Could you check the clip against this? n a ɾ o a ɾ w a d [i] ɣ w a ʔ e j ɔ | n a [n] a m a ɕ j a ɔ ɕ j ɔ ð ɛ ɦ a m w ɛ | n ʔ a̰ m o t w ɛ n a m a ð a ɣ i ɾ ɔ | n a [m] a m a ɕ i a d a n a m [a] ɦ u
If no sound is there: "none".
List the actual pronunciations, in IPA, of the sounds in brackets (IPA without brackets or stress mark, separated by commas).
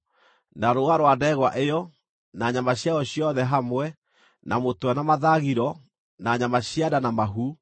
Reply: ɛ, ɲ, ɲ, a